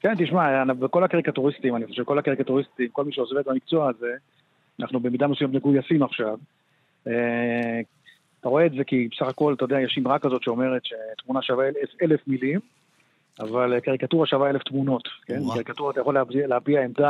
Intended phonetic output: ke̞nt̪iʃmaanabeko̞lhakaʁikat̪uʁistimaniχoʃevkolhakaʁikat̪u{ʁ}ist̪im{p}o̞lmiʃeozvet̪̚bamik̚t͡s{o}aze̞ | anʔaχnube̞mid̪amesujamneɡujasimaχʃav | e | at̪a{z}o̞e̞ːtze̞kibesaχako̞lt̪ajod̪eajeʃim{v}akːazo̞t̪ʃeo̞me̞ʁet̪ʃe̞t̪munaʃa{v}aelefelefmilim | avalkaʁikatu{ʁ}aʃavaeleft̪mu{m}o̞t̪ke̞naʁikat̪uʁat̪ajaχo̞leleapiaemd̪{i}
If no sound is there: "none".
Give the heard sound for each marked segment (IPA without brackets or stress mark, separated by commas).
ʁ, k, o, ʁ, ʁ, v, ʁ, n, a